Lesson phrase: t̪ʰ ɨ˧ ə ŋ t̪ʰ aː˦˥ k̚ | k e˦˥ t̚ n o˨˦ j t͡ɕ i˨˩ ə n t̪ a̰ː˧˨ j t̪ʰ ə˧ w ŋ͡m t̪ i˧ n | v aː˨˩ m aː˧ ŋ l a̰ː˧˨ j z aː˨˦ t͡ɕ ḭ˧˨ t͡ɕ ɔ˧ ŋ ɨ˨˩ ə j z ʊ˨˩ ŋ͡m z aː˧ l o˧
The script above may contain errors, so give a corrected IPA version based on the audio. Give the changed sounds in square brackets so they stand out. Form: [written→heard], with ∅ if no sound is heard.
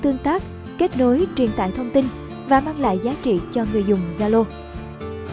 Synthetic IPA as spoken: [t̪ʰ→t̪] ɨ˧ ə ŋ [t̪ʰ→t̪] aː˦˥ k̚ | k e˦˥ t̚ n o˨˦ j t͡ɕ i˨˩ ə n t̪ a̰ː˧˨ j t̪ʰ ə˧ w ŋ͡m t̪ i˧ n | v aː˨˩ m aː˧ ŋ l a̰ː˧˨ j z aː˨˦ t͡ɕ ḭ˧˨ t͡ɕ ɔ˧ ŋ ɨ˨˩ ə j z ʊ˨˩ ŋ͡m z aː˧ l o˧